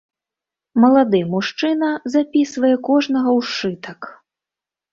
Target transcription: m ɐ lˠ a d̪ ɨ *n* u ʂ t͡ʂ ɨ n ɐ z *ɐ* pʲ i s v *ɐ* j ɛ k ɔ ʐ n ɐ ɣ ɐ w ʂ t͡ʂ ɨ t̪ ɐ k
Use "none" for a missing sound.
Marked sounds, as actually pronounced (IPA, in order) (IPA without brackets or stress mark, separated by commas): m, a, ɐ